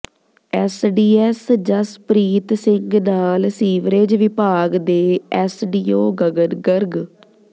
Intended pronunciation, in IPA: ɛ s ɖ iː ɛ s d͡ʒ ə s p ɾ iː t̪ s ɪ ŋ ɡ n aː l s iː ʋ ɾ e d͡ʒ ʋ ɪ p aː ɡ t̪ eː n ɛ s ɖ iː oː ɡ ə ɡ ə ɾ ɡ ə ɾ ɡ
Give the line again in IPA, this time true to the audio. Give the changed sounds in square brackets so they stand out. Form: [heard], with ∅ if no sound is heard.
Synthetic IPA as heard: ɛ s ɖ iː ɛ s d͡ʒ ə s p ɾ iː t̪ s ɪ ŋ ɡ n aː l s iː ʋ ɾ e d͡ʒ ʋ ɪ p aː ɡ [d̪] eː [∅] ɛ s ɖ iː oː ɡ ə ɡ ə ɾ ɡ ə ɾ ɡ